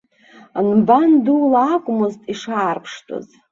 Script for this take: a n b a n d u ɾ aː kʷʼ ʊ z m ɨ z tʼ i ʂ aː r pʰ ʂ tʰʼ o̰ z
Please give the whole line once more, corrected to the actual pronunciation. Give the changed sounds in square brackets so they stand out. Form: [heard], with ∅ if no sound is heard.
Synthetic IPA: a n b a n d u [l] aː kʷʼ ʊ [∅] m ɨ z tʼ i ʂ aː r pʰ ʂ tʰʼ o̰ z